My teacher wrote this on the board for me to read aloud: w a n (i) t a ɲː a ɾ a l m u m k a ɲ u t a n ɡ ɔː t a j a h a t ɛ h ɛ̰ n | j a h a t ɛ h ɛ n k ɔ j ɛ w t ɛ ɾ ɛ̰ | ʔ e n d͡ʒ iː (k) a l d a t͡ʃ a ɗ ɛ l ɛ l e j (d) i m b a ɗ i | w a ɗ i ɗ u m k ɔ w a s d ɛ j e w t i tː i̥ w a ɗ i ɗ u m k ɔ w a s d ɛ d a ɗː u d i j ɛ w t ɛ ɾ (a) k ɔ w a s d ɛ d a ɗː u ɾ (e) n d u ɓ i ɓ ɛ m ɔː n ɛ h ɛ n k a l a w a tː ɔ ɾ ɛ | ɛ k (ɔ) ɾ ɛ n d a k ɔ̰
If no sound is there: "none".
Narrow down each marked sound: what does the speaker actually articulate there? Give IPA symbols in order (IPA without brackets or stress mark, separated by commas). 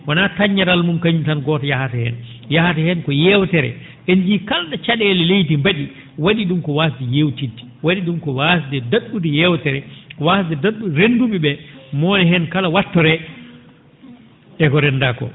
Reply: a, k, t, ɛ, e, ɔ